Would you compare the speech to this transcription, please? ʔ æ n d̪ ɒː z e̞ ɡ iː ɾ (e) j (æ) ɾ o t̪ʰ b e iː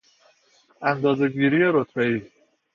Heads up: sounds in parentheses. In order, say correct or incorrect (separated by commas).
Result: incorrect, incorrect